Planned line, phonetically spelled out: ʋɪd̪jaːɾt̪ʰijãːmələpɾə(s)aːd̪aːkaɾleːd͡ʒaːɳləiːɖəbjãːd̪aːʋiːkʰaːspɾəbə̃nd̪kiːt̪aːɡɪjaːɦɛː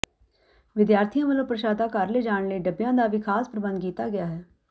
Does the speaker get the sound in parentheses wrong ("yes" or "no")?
yes